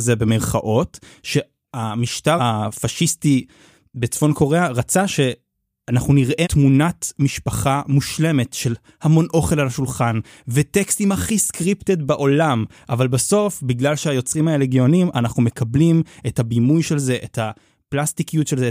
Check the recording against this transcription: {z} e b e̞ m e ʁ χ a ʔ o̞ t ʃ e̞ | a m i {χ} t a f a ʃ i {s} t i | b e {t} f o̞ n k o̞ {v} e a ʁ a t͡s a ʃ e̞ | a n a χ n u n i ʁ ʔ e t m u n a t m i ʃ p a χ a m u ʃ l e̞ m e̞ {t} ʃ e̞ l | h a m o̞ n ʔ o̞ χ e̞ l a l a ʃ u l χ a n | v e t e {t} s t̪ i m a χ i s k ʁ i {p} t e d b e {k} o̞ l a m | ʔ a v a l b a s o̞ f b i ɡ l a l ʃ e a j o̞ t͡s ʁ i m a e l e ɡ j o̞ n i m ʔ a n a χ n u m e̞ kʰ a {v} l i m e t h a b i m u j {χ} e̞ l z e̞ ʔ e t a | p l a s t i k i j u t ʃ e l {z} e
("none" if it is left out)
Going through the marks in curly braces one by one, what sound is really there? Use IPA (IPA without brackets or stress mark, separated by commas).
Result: z, ʃ, s, t͡s, ʁ, t, k, p, ʔ, b, ʃ, z